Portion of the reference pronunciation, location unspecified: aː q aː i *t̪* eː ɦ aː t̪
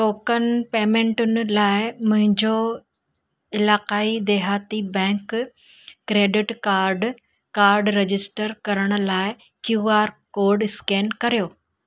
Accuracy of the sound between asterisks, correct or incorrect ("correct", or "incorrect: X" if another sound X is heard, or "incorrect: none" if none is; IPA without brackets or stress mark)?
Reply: incorrect: d̪